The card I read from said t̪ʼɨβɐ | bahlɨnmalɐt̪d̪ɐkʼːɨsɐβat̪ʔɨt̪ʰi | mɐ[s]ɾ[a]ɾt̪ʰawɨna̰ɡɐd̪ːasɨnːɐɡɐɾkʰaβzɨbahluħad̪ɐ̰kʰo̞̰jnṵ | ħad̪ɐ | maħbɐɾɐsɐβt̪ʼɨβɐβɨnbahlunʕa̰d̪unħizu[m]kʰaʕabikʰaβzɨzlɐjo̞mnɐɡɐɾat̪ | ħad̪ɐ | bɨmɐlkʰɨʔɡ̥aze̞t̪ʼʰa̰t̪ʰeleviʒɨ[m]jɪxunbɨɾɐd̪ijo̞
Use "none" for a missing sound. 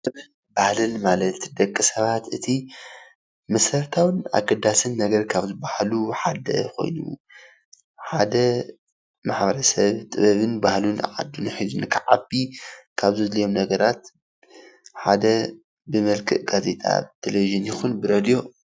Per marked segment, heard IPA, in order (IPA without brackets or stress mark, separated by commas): s, ɐ, n, n